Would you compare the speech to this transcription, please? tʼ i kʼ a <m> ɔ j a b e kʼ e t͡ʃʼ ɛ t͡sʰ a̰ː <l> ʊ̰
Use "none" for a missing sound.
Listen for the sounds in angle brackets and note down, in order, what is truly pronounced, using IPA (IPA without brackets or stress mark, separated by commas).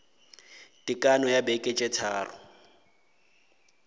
n, r